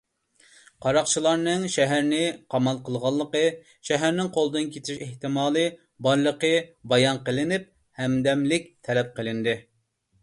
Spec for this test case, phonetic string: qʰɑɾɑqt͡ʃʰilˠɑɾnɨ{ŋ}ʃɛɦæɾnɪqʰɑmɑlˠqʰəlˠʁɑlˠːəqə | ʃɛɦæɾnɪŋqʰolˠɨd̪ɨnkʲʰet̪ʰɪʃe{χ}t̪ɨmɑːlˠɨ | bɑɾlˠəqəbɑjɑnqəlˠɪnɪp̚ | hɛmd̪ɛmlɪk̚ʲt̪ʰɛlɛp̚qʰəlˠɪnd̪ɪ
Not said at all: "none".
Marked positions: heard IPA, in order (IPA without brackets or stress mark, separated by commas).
ŋ, h